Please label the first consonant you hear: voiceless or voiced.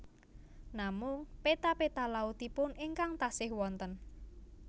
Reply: voiced